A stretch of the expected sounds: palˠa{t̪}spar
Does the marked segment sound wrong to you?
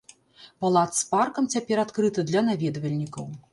no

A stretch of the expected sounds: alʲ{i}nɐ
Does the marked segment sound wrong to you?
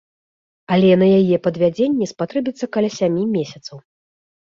yes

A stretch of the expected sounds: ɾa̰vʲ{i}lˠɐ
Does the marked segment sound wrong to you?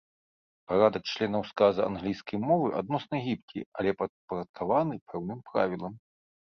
no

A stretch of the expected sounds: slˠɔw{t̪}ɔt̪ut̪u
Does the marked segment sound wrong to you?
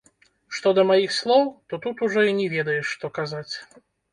no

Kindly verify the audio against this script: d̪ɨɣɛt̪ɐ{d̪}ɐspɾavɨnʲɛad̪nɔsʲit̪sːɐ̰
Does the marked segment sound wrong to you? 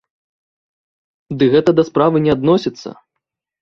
no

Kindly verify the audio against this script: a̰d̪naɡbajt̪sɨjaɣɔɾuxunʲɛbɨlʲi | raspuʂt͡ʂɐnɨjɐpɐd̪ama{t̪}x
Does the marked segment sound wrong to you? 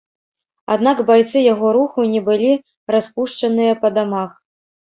yes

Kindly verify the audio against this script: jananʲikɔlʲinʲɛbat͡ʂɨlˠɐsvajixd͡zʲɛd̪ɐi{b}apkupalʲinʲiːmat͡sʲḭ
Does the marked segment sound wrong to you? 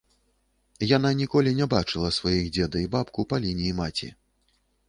no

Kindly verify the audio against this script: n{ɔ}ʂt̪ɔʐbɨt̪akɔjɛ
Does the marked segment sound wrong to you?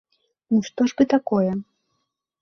yes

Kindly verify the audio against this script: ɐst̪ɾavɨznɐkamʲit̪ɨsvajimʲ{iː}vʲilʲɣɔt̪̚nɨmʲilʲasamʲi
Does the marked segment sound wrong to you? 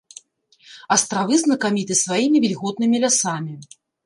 yes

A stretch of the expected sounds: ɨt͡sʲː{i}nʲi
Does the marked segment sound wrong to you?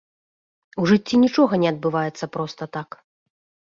no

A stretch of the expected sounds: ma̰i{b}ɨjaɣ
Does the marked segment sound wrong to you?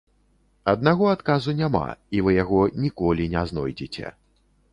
yes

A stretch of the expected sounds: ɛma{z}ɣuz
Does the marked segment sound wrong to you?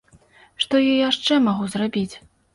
yes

